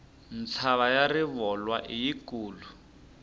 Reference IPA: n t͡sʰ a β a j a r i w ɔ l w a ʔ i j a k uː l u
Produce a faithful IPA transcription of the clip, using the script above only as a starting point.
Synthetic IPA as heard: n t͡sʰ a β a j a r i β ɔ l w a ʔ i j i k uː l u